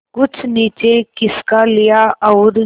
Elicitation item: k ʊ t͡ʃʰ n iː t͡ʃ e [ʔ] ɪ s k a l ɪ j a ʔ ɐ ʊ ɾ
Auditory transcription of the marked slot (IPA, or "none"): k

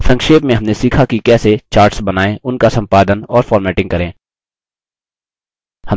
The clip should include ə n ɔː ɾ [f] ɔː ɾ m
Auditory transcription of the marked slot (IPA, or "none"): f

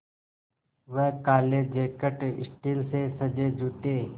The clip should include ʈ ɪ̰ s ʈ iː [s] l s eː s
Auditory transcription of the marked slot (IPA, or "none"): none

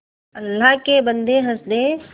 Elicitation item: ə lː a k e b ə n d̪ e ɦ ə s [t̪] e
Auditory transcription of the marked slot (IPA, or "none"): d̪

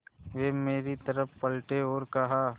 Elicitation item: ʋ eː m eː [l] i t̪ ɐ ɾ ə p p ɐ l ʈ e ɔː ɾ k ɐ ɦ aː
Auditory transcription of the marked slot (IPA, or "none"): ɾ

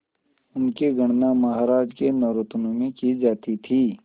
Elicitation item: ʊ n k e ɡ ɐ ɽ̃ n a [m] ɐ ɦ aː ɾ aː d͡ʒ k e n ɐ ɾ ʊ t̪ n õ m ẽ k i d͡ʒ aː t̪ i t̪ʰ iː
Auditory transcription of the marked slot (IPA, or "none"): m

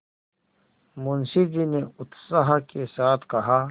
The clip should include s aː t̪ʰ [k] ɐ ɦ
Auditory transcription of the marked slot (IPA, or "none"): k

